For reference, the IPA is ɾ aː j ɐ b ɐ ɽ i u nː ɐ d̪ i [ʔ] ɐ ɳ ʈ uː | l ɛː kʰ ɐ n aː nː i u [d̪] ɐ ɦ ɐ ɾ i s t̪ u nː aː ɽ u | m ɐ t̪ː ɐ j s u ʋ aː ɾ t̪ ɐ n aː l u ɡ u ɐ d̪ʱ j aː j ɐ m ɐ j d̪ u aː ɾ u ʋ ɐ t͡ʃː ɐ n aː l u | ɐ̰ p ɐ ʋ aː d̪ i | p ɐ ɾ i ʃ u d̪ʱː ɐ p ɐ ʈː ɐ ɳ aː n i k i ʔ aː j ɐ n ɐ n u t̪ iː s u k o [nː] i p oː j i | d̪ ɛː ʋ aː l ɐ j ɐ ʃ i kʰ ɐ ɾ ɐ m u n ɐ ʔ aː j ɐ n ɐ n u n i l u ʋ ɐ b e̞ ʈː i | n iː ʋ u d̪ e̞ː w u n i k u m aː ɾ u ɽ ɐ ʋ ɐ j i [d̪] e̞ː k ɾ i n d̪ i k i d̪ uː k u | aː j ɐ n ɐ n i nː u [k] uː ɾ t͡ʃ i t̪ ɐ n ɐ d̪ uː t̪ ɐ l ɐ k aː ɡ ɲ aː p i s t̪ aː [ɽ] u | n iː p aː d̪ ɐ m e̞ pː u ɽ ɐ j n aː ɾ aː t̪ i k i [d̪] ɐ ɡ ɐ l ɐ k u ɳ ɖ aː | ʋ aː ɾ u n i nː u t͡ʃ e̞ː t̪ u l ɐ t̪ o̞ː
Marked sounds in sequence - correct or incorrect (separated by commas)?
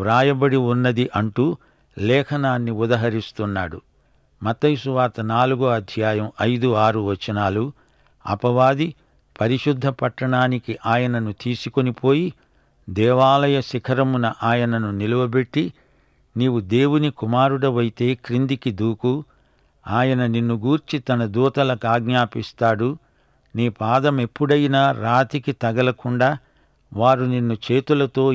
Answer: correct, correct, incorrect, incorrect, incorrect, correct, incorrect